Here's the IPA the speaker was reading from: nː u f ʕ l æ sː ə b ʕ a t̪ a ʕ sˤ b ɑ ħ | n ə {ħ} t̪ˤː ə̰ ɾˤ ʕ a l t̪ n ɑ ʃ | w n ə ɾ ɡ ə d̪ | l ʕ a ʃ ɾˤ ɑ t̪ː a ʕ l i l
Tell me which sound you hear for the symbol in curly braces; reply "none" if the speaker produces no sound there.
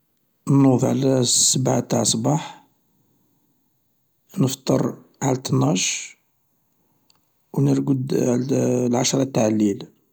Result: f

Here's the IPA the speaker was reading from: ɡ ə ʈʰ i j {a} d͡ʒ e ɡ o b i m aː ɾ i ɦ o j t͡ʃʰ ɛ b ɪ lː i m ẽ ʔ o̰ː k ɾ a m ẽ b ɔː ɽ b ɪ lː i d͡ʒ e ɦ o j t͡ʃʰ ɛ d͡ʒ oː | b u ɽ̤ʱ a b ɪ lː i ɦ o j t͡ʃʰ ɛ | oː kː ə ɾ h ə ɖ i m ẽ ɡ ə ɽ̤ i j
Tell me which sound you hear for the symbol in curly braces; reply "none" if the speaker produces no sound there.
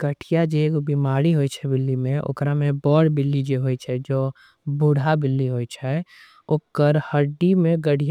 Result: a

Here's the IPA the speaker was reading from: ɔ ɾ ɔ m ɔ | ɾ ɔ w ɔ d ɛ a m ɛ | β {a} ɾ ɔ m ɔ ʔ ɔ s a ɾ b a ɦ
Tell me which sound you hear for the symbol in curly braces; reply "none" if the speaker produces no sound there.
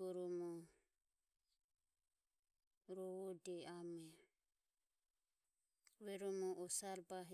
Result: ɛ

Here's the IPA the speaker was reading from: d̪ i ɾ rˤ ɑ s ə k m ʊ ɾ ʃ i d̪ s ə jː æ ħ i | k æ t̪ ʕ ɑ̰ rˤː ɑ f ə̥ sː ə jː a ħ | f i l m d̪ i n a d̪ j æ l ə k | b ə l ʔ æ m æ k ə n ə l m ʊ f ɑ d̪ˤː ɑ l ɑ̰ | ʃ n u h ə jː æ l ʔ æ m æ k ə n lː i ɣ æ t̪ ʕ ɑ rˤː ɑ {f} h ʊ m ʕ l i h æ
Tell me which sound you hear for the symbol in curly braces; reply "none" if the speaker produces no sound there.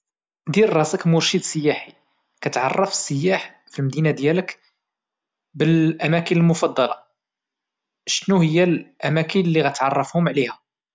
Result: f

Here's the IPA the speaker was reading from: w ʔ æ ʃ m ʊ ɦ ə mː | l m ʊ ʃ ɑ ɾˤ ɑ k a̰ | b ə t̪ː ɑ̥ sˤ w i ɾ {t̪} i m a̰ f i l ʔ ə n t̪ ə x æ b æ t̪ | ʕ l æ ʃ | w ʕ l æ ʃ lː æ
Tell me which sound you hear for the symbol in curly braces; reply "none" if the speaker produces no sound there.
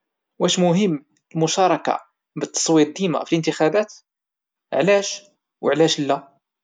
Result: d̪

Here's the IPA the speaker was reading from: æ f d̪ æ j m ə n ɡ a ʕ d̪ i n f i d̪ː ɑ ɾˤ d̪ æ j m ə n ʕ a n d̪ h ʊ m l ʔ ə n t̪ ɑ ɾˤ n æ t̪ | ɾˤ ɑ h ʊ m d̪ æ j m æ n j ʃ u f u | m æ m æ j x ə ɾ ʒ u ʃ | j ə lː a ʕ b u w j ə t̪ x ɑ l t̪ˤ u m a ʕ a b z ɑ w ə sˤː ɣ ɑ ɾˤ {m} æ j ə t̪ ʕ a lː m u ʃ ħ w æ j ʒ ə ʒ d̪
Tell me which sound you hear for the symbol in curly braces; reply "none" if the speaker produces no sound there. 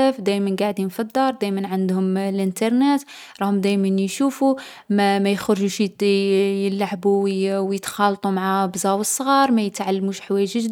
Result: m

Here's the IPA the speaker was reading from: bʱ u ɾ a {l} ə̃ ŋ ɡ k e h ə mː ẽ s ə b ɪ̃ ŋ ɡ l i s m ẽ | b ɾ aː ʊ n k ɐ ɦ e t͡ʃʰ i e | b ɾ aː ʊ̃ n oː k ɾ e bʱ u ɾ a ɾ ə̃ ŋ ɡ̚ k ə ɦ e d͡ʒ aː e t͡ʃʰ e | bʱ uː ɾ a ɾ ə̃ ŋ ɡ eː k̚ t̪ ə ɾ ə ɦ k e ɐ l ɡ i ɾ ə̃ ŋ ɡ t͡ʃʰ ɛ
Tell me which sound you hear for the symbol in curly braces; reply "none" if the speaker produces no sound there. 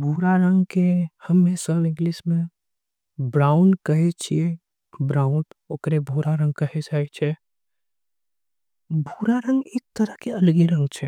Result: ɾ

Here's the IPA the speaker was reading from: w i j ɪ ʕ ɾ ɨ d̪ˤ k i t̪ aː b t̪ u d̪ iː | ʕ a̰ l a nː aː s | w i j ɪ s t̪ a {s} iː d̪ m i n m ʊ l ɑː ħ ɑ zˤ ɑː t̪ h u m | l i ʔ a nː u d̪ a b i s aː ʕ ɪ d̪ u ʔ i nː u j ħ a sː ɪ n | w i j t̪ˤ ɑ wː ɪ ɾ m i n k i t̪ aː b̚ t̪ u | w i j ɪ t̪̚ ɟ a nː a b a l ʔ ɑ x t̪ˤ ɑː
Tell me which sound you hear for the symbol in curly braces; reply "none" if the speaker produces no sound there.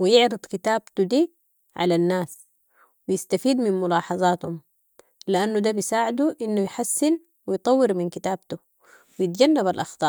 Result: f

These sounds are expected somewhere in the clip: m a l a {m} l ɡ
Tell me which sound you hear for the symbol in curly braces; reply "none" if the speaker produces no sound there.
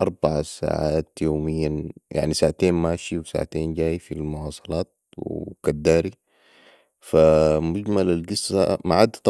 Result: none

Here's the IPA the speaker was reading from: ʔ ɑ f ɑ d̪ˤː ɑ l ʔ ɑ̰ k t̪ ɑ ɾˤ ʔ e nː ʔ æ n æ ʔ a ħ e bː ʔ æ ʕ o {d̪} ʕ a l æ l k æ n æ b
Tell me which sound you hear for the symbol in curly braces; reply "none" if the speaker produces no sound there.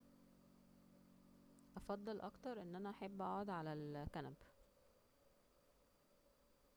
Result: d̪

